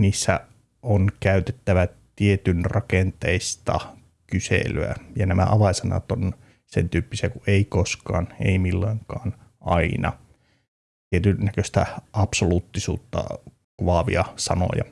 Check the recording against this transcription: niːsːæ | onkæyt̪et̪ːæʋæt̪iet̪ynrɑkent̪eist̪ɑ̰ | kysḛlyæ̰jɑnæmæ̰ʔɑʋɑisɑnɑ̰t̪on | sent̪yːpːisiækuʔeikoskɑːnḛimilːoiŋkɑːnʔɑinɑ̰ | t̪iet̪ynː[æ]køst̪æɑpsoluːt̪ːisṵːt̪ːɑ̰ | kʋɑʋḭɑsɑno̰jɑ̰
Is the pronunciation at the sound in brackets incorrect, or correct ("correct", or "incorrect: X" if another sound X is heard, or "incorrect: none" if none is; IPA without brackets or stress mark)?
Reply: correct